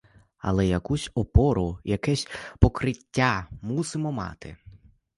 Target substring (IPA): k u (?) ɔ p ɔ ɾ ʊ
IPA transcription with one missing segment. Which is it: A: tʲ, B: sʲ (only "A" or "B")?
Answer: B